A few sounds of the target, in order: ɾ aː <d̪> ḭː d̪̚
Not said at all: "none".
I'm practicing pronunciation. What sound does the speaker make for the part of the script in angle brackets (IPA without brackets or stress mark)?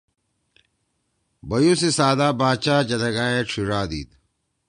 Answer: d̪